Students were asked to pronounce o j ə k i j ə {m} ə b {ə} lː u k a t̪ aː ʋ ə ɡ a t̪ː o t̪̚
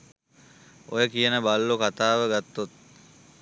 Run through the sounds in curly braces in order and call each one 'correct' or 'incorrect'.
incorrect: n, incorrect: a

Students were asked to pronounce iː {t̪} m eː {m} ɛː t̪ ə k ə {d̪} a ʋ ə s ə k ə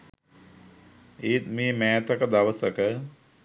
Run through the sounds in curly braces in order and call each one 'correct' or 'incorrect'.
correct, correct, correct

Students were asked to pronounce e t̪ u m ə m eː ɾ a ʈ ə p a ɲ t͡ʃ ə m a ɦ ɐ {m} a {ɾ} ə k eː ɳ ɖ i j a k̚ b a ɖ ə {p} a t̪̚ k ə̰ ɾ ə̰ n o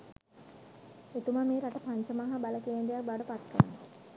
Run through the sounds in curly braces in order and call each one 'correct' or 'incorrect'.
incorrect: b, incorrect: l, correct

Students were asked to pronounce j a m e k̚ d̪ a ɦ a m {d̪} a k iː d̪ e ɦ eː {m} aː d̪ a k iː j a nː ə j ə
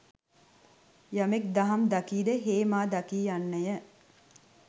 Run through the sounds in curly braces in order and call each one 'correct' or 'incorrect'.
correct, correct

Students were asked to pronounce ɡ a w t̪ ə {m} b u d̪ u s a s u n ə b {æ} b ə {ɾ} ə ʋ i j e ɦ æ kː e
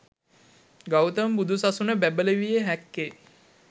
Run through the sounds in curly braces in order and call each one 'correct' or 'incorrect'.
correct, correct, incorrect: l

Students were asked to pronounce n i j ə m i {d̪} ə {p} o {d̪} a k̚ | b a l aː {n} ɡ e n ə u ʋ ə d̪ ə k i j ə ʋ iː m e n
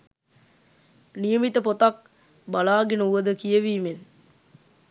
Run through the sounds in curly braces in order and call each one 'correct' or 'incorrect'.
incorrect: t̪, correct, incorrect: t̪, incorrect: none

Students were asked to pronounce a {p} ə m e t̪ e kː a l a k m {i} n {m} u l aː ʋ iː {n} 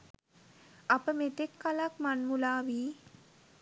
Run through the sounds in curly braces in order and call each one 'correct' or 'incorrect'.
correct, incorrect: a, correct, incorrect: none

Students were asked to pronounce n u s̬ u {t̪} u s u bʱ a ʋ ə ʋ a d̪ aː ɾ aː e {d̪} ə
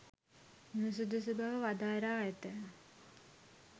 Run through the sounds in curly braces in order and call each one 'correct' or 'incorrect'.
incorrect: d̪, incorrect: t̪

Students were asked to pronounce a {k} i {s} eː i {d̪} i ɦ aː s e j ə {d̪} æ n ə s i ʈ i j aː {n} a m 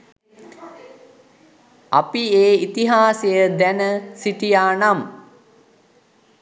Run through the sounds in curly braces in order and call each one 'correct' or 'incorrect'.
incorrect: p, incorrect: none, incorrect: t̪, correct, correct

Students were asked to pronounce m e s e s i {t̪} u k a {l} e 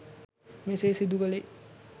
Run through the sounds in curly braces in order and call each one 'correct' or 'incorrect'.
incorrect: d̪, correct

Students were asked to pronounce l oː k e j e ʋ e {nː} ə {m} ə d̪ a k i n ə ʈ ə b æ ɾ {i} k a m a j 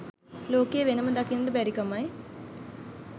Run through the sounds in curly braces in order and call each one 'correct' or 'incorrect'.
incorrect: n, correct, correct

